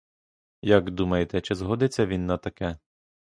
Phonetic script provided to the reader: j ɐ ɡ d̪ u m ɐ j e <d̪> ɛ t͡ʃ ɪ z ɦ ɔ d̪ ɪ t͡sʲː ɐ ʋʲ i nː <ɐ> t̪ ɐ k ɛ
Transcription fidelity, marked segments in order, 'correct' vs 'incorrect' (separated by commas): incorrect, correct